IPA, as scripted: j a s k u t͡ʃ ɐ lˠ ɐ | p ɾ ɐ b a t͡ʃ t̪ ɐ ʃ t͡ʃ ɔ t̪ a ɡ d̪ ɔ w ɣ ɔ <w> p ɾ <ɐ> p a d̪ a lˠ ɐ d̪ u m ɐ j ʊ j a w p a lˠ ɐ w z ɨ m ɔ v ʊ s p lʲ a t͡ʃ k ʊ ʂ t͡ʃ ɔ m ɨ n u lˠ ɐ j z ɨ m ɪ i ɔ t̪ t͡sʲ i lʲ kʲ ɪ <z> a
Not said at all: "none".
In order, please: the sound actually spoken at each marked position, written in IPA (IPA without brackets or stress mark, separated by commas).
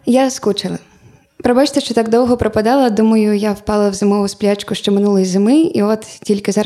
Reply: none, ɐ, z